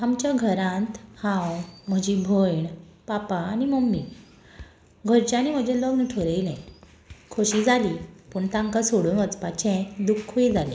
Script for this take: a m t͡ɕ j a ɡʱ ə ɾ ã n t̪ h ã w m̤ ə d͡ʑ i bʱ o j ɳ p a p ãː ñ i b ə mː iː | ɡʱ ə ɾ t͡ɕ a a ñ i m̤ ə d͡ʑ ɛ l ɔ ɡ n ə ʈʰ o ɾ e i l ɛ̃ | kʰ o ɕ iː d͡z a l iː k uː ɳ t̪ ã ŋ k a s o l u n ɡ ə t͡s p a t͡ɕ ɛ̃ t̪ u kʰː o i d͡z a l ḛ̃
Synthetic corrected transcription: a m t͡ɕ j a ɡʱ ə ɾ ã n t̪ h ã w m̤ ə d͡ʑ i bʱ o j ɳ p a p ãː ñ i m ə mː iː | ɡʱ ə ɾ t͡ɕ a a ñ i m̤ ə d͡ʑ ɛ l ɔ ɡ n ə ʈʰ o ɾ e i l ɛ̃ | kʰ o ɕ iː d͡z a l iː p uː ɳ t̪ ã ŋ k a s o ɽ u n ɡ ə t͡s p a t͡ɕ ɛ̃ d̪ u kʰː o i d͡z a l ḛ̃